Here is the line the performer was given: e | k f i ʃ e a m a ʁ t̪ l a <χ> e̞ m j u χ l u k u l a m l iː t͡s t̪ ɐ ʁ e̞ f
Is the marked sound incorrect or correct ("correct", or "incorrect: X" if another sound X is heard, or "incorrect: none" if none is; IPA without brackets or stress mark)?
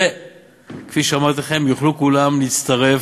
correct